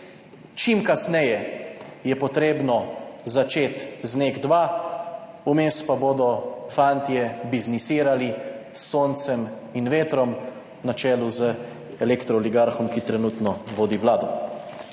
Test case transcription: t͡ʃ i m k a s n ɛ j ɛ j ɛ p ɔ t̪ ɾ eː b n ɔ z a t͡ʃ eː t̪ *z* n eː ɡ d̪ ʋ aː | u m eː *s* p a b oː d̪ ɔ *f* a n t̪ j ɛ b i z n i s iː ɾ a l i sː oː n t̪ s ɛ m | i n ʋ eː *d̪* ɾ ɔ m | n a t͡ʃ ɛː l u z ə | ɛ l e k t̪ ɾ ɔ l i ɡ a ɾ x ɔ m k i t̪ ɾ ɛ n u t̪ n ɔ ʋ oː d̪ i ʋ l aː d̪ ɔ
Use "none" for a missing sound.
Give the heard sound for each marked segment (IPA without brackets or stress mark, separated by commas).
z, s, f, t̪